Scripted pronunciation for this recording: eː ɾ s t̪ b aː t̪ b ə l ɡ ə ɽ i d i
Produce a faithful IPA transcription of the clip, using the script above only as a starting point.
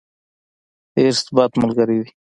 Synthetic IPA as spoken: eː ɾ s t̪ b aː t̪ m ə l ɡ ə ɾ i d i